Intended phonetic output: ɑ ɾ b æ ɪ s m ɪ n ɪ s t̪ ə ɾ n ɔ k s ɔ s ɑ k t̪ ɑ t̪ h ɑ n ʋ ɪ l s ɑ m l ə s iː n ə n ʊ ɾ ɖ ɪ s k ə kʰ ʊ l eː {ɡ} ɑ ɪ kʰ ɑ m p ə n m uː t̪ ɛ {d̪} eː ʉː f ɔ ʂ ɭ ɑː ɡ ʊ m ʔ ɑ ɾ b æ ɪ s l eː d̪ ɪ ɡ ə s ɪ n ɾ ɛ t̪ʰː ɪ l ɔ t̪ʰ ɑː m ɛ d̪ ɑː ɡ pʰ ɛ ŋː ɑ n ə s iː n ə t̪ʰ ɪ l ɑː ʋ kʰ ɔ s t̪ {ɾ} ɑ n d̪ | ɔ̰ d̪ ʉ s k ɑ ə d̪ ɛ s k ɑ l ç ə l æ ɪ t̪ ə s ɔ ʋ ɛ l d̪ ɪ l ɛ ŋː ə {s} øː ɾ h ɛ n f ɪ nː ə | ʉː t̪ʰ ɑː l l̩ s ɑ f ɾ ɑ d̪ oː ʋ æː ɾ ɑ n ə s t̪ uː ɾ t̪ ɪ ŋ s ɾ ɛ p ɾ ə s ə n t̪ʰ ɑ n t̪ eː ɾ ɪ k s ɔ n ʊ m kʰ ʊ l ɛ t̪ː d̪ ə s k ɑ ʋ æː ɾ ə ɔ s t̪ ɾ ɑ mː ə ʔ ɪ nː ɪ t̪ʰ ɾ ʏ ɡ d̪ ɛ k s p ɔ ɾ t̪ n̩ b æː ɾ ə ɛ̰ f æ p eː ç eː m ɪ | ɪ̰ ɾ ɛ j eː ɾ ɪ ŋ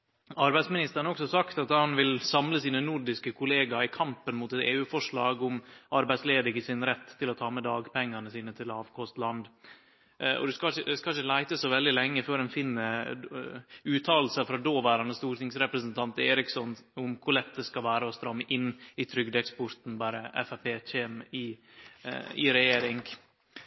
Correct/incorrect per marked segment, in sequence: correct, incorrect: t̪, incorrect: l, incorrect: f

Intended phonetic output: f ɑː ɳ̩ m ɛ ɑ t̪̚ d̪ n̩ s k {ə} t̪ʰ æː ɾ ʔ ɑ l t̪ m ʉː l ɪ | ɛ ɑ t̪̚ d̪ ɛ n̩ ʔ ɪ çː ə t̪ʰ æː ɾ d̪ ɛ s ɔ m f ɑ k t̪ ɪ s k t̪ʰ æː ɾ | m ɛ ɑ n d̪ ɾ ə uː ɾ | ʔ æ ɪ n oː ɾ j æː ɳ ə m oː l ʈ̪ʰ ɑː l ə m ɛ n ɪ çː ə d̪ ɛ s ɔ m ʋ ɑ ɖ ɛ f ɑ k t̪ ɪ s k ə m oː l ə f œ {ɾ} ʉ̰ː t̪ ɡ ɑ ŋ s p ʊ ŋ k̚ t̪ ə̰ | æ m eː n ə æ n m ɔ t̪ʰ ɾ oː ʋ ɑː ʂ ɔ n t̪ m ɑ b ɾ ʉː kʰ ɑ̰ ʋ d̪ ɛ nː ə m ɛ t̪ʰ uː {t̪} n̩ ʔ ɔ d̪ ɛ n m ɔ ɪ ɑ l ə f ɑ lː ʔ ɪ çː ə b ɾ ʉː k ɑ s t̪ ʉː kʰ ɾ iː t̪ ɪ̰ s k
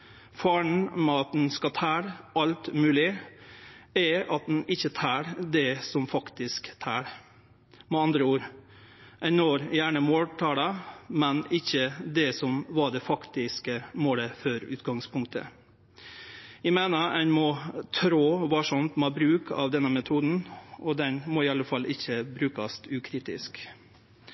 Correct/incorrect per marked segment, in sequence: incorrect: ɑ, correct, incorrect: d̪

